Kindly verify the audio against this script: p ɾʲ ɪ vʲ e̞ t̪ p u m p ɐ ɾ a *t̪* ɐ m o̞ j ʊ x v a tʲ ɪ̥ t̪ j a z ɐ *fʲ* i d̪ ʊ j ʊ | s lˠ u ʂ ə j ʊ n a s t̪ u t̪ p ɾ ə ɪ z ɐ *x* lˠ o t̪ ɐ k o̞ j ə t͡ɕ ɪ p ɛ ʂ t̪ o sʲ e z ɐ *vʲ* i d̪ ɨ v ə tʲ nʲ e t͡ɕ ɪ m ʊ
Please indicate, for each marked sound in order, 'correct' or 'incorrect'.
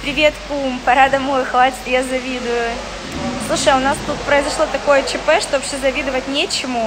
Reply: incorrect: d̪, incorrect: vʲ, incorrect: ʂ, correct

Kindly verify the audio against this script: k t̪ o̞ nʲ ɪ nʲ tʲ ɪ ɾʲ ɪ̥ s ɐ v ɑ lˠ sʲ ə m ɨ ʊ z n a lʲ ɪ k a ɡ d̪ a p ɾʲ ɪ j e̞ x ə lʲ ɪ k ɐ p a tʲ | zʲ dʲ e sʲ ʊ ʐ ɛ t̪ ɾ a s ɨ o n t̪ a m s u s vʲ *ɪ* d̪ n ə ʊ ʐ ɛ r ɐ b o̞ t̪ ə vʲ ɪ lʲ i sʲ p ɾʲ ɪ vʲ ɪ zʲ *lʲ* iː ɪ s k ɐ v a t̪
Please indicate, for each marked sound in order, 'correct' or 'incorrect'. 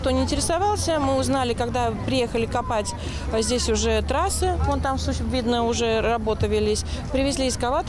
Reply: incorrect: i, correct

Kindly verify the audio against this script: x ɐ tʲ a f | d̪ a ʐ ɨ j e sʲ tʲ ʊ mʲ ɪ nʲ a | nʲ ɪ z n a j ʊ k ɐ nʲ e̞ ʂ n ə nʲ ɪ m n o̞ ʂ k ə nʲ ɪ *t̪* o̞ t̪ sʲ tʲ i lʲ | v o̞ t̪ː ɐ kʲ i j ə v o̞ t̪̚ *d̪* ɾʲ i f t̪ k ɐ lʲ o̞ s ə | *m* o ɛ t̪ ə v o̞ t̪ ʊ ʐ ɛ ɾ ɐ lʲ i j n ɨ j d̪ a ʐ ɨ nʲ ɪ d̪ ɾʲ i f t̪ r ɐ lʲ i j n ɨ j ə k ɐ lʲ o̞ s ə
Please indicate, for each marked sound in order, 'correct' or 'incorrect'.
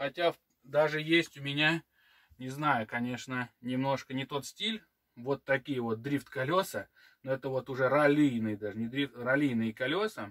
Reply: correct, correct, incorrect: n

